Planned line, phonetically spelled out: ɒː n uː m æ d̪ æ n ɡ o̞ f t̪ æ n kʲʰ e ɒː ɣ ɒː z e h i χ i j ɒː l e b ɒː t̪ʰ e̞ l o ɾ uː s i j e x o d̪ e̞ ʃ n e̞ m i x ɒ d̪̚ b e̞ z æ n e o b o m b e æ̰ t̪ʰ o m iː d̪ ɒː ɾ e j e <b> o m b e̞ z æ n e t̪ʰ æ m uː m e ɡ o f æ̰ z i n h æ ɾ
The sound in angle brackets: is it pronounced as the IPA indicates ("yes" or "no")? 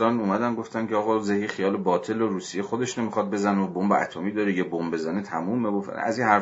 yes